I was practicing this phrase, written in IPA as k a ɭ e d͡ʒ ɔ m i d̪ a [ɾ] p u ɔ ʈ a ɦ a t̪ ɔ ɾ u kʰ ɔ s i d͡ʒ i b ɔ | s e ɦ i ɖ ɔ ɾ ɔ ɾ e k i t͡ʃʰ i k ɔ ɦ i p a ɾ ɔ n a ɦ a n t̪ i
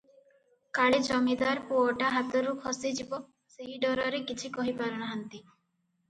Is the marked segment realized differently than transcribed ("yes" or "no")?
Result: no